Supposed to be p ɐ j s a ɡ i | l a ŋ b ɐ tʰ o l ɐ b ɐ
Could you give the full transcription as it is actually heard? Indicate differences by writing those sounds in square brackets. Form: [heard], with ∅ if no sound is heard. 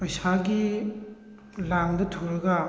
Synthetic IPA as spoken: p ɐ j s a ɡ i | l a ŋ [d] ɐ tʰ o [ɾ] ɐ [ɡ] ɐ